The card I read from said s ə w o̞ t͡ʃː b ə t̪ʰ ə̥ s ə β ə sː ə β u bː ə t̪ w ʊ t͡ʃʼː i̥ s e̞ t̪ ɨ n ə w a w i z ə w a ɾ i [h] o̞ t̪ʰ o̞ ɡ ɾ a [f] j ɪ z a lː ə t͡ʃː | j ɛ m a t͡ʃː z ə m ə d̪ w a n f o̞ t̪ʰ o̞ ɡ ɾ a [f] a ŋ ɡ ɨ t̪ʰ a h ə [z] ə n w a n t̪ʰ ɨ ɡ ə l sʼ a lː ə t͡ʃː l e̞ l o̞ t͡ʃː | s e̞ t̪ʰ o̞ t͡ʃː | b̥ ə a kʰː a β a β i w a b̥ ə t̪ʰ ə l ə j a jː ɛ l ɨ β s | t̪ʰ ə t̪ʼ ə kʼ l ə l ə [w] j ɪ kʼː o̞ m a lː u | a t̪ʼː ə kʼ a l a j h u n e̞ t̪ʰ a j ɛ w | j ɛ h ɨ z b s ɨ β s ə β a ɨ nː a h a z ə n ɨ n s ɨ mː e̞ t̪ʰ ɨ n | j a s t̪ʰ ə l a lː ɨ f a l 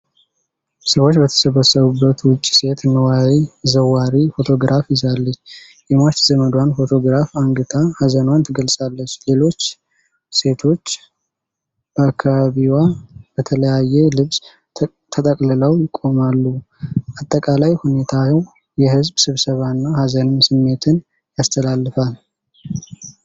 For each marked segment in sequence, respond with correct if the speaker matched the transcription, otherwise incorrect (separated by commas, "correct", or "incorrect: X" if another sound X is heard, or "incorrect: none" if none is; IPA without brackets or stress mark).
incorrect: f, correct, correct, correct, correct